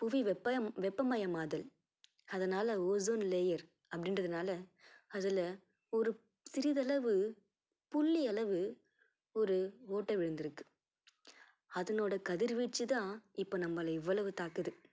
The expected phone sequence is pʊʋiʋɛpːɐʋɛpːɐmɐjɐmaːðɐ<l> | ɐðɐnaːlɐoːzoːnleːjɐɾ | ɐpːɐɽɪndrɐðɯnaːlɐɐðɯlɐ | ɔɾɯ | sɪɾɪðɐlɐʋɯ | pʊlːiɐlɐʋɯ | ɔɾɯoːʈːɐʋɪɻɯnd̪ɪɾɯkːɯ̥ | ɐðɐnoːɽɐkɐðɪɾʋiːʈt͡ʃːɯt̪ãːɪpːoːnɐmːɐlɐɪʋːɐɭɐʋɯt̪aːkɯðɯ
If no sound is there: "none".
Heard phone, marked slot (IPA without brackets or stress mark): l